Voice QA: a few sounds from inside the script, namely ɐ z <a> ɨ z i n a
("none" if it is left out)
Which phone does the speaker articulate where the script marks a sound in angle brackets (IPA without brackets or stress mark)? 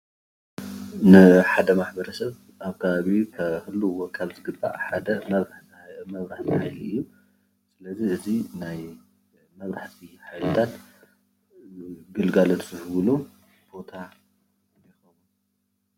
i